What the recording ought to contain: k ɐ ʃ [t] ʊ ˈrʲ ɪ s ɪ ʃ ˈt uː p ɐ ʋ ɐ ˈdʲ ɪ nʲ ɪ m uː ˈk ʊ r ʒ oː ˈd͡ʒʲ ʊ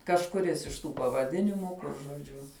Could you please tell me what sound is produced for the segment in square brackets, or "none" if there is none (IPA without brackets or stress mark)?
k